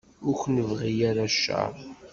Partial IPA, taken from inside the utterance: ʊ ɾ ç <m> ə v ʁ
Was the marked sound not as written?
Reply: yes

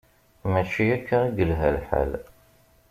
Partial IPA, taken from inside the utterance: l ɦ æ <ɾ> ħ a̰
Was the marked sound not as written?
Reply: yes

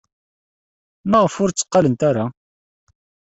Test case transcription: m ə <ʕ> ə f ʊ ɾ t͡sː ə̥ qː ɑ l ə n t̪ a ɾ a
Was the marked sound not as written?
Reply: yes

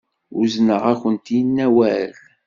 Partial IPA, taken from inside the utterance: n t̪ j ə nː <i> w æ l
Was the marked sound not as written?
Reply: yes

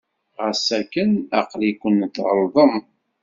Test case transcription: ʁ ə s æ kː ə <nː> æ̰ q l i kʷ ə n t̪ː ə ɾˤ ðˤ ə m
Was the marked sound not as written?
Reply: yes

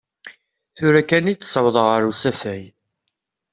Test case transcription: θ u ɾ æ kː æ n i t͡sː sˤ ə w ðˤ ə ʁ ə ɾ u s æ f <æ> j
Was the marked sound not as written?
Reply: no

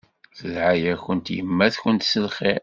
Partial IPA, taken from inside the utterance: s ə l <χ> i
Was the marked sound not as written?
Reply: no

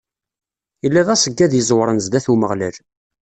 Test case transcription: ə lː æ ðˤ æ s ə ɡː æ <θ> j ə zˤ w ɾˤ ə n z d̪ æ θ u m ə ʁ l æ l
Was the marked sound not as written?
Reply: yes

